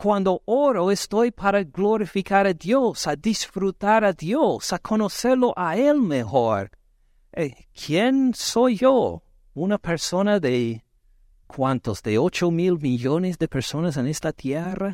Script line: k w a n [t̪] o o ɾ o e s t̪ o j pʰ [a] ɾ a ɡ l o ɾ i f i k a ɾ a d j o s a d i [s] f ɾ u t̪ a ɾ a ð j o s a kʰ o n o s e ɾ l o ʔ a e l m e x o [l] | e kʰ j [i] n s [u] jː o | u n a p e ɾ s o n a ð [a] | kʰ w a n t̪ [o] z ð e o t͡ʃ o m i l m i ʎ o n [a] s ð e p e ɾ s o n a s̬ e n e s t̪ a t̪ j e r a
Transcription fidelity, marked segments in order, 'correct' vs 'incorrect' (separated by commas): incorrect, correct, correct, incorrect, incorrect, incorrect, incorrect, correct, incorrect